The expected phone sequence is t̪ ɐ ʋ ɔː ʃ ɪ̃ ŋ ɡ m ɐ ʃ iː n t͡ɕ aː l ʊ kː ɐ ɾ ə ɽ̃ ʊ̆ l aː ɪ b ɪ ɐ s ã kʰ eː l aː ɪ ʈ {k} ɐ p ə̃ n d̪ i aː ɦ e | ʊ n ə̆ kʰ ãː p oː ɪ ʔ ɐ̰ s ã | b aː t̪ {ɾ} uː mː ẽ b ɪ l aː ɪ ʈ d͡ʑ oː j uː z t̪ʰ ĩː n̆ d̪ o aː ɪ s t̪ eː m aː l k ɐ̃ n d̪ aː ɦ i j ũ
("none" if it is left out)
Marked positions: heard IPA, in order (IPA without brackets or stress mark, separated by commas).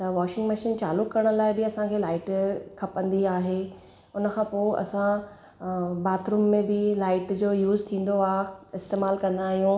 kʰ, ɾ